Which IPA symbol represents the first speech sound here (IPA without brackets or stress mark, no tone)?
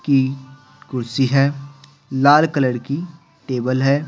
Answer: k